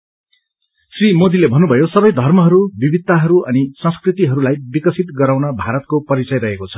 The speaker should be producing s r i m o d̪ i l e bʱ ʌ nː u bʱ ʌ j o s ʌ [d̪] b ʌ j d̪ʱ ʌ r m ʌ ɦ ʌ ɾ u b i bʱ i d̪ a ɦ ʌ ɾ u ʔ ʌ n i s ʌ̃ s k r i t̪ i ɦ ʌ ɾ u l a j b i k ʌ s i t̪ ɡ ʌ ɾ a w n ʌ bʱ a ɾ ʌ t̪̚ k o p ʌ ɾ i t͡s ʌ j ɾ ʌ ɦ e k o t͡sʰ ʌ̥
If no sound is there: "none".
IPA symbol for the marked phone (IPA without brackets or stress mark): none